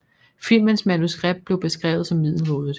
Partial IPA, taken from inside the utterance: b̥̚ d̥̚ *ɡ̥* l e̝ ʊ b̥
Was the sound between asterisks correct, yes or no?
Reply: no